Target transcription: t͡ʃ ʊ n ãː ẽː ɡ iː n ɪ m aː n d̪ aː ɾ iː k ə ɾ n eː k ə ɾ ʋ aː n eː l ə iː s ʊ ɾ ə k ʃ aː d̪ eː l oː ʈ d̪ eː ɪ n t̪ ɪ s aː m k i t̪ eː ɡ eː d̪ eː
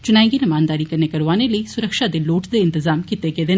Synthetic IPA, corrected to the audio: t͡ʃ ʊ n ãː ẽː ɡ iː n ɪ m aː n d̪ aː ɾ iː k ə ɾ n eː k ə ɾ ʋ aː n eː l ə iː s ʊ ɾ ə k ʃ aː d̪ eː l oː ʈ d̪ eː ɪ n t̪ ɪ z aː m k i t̪ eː ɡ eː d̪ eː